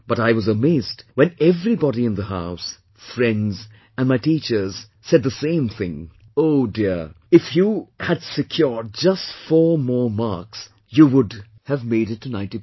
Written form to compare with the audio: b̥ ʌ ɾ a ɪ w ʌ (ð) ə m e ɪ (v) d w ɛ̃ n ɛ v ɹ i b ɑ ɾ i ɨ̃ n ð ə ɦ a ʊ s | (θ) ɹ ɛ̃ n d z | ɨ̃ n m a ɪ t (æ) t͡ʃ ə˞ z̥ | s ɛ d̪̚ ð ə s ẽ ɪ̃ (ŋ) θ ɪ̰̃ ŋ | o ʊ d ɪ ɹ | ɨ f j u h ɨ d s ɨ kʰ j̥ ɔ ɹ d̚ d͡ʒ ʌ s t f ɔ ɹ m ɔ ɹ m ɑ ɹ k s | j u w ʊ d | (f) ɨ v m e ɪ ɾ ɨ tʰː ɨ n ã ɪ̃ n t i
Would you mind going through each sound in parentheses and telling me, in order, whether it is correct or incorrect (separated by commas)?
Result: incorrect, incorrect, incorrect, incorrect, incorrect, incorrect